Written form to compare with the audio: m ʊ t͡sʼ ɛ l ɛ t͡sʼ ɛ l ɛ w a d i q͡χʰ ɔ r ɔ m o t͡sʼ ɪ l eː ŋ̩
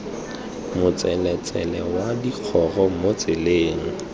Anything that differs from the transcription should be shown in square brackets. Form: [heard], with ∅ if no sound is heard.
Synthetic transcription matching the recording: m ʊ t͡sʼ ɛ l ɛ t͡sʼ ɛ l ɛ w a d i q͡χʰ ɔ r ɔ m o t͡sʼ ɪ l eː ŋ̩